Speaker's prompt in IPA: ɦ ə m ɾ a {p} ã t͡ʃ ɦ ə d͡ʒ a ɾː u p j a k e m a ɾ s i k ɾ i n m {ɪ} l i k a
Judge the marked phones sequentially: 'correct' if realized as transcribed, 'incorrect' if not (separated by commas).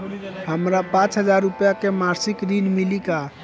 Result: correct, incorrect